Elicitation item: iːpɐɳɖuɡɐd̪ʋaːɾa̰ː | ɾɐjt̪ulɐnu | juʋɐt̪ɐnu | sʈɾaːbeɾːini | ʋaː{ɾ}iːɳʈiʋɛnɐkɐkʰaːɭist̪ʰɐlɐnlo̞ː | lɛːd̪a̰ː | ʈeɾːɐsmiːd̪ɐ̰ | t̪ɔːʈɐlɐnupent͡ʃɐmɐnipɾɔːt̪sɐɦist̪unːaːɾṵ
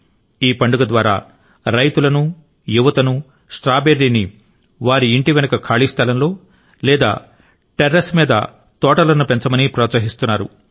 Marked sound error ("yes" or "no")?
no